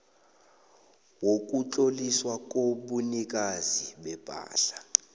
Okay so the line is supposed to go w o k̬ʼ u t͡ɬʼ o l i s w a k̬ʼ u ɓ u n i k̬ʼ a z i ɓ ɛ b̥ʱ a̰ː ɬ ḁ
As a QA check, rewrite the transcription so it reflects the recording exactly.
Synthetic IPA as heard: w o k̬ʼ u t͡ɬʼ o l i s w a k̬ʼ o ɓ u n i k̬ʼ a z i ɓ ɛ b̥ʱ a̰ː ɬ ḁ